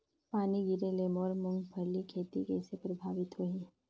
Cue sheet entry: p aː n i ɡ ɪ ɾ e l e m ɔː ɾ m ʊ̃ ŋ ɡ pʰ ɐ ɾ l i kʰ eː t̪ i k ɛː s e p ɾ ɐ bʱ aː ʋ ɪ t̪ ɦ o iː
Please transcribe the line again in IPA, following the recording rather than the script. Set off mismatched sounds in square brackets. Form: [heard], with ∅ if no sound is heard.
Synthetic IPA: p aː n i ɡ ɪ ɾ e l e m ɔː ɾ m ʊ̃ ŋ ɡ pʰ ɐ ɾ l i kʰ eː t̪ i k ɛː s e p ɾ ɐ bʱ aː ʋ ɪ t̪ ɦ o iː